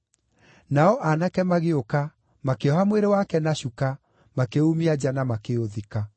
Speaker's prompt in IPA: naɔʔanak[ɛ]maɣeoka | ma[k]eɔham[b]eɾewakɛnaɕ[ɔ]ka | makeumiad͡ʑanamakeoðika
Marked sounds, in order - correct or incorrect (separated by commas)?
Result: correct, correct, incorrect, incorrect